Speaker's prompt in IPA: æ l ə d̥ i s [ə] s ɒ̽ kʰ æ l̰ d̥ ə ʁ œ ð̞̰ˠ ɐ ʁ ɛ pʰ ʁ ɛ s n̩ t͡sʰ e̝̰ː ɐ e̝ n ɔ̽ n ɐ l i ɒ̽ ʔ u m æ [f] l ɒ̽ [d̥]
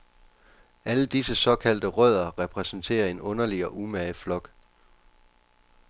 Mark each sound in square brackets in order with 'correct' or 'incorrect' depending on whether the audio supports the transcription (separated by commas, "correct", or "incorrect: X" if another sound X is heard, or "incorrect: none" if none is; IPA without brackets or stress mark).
correct, correct, incorrect: ɡ̥